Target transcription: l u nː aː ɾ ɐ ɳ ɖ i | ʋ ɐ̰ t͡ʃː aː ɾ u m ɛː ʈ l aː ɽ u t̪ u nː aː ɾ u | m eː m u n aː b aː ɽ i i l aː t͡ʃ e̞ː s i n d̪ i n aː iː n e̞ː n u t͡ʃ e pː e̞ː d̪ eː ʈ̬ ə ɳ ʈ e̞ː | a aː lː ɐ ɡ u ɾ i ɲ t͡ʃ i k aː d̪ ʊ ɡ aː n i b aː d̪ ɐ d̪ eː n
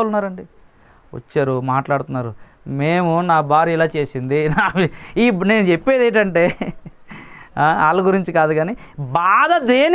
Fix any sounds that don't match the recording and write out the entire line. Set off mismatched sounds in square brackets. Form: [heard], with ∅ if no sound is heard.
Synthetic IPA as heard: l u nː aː ɾ ɐ ɳ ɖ i | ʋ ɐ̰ t͡ʃː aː ɾ u m [aː] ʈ l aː ɽ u t̪ u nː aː ɾ u | m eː m u n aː b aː [ɾ] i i l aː t͡ʃ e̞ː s i n d̪ i n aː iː n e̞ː n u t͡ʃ e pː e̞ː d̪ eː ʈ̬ [ɐ] ɳ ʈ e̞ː | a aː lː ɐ ɡ u ɾ i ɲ t͡ʃ i k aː d̪ [u] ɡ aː n i b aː d̪ ɐ d̪ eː n